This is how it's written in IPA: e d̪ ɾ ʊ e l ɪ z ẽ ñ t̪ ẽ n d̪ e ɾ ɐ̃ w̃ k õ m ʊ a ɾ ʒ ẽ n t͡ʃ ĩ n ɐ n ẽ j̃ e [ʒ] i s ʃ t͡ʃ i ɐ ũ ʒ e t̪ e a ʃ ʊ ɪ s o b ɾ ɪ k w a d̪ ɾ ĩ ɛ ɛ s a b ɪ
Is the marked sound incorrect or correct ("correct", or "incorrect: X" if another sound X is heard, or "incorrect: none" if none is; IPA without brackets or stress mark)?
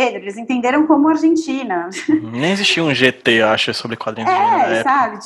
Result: incorrect: z